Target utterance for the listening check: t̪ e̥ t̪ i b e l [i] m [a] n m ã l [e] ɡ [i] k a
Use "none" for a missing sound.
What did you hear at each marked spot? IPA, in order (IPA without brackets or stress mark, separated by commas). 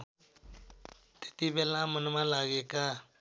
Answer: a, ə, a, e